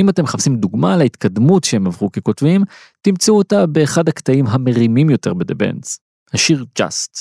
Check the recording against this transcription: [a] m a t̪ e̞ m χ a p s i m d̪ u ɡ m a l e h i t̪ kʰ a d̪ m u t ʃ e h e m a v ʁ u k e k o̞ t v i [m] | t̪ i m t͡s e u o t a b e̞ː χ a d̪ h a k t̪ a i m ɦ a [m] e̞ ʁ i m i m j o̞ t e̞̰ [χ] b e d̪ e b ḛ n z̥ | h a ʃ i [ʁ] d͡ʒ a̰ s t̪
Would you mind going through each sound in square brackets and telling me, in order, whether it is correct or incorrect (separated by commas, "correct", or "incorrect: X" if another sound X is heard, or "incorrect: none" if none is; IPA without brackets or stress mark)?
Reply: incorrect: i, correct, correct, incorrect: ʁ, correct